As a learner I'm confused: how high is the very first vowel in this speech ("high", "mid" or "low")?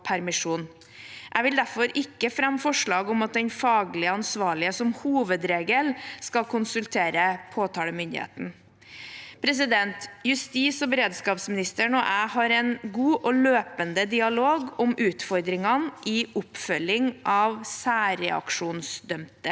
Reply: low